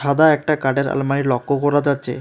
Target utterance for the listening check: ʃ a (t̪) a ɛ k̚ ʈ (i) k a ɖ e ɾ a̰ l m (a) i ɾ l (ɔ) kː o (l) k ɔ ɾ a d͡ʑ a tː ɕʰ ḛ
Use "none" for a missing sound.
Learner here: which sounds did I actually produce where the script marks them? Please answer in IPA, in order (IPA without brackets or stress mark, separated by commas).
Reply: d̪, a, a, ɔ, none